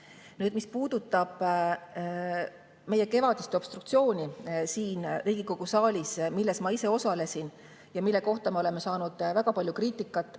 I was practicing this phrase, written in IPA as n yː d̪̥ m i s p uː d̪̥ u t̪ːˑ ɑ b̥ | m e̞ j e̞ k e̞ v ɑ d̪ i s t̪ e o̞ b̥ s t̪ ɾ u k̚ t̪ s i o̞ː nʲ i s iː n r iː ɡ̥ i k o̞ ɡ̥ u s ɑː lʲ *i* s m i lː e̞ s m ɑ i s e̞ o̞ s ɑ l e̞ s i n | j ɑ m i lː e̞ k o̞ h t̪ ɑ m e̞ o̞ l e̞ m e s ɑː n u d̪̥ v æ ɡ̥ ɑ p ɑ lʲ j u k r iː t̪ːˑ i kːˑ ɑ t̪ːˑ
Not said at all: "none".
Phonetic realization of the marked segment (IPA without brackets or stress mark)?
i